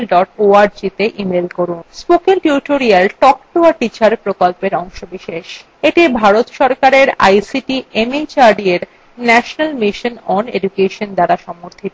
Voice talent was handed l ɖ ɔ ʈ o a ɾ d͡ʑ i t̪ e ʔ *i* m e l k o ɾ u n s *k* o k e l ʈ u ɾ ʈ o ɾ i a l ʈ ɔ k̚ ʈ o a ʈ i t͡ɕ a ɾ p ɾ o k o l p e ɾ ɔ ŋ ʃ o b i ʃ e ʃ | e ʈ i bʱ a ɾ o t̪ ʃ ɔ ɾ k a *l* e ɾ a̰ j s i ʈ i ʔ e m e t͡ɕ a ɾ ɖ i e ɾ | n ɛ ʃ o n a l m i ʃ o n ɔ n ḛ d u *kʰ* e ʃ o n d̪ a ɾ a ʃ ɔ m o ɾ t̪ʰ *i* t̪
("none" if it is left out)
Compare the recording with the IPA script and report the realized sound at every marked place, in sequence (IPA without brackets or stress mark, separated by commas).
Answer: i, p, ɾ, k, i